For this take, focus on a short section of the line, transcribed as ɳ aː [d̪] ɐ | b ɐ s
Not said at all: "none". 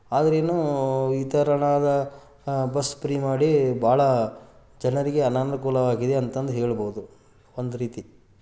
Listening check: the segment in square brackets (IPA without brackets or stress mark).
d̪